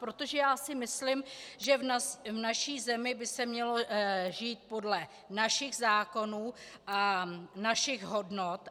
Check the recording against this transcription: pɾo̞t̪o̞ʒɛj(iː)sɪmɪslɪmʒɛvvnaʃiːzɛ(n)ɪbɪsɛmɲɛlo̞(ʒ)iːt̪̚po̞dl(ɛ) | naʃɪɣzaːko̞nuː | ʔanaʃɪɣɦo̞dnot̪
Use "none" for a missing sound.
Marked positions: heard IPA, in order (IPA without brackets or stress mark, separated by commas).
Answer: aː, m, ʒ, ɛ